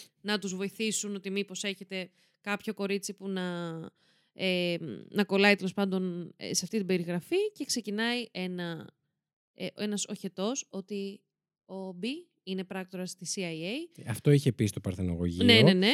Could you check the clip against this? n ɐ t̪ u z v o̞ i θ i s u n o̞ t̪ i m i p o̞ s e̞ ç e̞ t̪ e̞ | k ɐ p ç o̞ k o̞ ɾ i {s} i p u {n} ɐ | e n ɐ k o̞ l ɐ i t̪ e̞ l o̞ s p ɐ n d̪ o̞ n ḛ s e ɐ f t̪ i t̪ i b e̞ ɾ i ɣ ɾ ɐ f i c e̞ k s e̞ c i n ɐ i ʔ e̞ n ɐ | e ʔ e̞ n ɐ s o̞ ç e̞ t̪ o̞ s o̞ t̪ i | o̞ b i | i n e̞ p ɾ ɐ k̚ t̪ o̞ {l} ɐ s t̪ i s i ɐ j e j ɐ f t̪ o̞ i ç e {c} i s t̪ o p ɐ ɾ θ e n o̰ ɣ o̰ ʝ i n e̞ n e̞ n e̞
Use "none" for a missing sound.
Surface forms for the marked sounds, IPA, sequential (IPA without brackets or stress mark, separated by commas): t͡s, n, ɾ, p